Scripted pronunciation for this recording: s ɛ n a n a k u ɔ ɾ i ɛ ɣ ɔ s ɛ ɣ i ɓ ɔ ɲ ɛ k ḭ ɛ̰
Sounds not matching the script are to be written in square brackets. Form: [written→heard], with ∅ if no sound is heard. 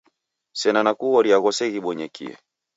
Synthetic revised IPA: s ɛ n a n a k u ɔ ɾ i [ɛ→a] ɣ ɔ s ɛ ɣ i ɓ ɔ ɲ ɛ k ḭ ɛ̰